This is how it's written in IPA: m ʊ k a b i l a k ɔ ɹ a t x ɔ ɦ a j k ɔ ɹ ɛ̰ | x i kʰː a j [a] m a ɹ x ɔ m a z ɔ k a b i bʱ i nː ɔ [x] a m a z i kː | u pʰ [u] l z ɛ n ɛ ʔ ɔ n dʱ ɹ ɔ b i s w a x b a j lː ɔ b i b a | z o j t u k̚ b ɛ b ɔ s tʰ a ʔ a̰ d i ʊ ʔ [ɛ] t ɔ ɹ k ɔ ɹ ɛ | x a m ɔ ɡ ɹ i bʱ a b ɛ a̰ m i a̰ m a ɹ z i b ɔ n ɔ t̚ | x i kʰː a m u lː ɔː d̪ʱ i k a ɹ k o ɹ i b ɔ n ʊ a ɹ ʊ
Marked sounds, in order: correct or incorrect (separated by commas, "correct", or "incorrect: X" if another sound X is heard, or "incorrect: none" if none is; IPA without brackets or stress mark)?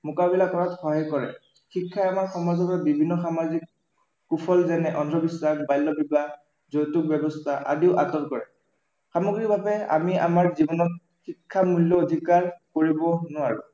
correct, correct, incorrect: ɔ, incorrect: a